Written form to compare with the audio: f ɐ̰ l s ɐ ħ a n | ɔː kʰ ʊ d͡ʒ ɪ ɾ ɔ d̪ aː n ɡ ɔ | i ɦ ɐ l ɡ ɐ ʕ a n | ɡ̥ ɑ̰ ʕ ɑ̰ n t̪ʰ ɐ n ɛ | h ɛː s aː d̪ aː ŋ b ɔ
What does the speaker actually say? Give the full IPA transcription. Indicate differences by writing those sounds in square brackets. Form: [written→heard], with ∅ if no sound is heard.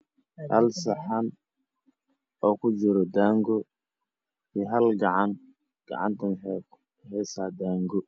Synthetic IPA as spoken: [f→h] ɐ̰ l s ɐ ħ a n | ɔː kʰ ʊ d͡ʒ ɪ ɾ ɔ d̪ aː [n→ŋ] ɡ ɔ | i ɦ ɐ l ɡ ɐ ʕ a n | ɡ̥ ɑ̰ ʕ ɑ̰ n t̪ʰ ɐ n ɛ | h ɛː s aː d̪ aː ŋ [b→ɡ] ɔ